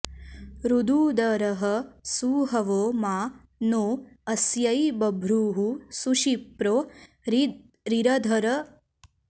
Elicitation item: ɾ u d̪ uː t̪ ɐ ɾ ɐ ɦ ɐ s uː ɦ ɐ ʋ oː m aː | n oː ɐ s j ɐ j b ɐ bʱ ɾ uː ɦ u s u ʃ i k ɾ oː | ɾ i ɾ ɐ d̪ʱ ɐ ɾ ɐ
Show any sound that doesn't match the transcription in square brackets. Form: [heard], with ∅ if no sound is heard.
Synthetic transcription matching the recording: ɾ u d̪ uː [d̪] ɐ ɾ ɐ ɦ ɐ s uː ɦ ɐ ʋ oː m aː | n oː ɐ s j ɐ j b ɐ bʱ ɾ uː ɦ u s u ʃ i [p] ɾ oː | ɾ i ɾ ɐ d̪ʱ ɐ ɾ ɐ